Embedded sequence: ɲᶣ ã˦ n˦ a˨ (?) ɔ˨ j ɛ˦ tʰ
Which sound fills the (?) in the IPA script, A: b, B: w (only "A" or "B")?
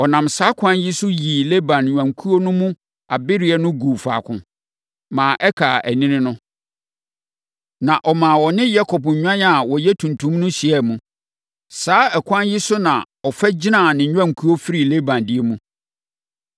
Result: B